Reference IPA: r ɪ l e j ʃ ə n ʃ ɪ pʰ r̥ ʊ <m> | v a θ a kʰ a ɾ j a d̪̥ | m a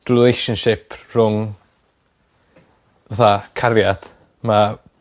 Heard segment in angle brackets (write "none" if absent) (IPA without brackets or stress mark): ŋ